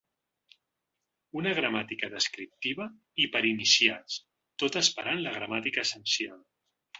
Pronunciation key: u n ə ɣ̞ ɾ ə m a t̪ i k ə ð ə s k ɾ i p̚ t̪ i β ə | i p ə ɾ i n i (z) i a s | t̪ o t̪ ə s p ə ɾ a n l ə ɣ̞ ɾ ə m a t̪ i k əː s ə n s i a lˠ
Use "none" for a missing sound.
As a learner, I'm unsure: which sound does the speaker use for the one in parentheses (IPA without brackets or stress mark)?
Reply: s